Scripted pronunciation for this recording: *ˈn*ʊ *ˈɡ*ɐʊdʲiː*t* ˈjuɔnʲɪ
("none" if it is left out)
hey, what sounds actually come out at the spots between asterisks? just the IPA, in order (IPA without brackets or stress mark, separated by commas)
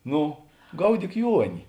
n, ɡ, k